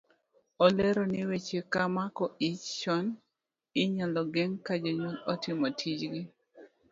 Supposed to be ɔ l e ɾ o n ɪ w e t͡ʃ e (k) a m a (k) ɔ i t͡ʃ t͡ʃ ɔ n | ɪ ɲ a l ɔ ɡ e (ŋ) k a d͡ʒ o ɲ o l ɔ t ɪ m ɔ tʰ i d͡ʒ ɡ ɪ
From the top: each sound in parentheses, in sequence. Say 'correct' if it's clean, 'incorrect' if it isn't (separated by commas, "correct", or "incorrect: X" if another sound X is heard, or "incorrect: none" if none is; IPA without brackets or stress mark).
correct, correct, correct